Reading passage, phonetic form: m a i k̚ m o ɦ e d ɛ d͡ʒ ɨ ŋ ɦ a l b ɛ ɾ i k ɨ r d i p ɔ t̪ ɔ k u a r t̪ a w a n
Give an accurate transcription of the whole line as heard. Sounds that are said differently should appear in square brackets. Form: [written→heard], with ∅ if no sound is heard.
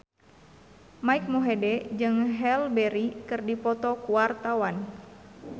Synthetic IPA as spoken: m a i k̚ m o ɦ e d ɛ d͡ʒ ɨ ŋ ɦ [a→ɛ] l b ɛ ɾ i k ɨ r d i p ɔ t̪ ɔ k u a r t̪ a w a n